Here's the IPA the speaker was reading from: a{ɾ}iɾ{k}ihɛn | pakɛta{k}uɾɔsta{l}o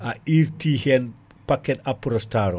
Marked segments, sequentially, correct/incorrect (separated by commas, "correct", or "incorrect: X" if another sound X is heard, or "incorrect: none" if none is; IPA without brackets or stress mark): incorrect: none, incorrect: t, incorrect: p, incorrect: ɾ